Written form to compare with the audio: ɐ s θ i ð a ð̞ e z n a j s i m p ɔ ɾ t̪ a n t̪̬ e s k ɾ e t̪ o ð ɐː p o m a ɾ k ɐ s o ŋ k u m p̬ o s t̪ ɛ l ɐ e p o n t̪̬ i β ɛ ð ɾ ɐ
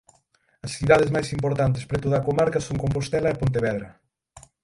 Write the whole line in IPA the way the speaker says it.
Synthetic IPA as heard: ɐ s θ i ð a ð̞ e z m a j s i m p o ɾ t̪ a n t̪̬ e s p ɾ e t̪ o ð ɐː k o m a ɾ k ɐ s o ŋ k o m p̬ o s t̪ ɛ l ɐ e p o n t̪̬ e β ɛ ð ɾ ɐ